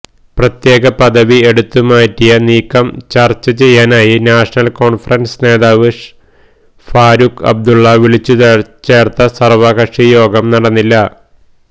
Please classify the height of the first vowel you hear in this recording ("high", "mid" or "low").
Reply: low